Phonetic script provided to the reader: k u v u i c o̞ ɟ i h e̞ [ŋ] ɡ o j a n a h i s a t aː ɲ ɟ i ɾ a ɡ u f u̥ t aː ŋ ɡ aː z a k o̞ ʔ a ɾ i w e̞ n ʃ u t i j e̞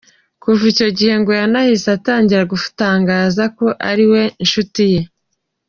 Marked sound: correct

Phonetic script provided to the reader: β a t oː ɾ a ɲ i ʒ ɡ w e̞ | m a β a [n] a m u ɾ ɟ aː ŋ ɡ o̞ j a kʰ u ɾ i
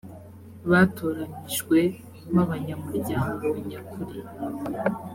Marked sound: incorrect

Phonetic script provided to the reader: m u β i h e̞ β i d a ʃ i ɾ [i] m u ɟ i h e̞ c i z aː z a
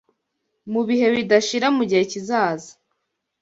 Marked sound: incorrect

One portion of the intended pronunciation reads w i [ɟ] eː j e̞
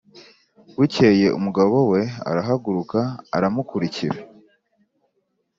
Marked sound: incorrect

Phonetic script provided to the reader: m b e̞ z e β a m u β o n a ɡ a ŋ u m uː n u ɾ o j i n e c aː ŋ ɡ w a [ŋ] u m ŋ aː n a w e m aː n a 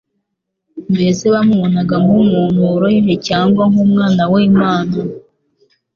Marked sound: correct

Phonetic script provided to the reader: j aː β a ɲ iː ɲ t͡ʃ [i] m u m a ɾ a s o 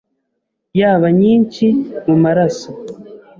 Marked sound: correct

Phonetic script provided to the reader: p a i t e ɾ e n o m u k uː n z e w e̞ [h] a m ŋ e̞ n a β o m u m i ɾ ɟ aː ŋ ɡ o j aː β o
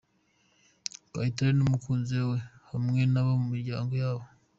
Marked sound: correct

